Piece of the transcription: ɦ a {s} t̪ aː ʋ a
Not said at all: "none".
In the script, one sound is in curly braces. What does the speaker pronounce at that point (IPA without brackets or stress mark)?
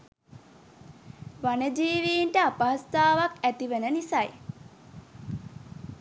s